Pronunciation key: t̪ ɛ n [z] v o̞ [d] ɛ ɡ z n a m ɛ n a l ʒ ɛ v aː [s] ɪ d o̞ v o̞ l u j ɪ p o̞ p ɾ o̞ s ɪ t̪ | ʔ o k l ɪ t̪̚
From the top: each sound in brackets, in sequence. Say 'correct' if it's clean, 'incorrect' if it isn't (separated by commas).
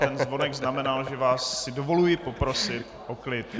correct, incorrect, incorrect